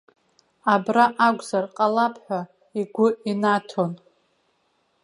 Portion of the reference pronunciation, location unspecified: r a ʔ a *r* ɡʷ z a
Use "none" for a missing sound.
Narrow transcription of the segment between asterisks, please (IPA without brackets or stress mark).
none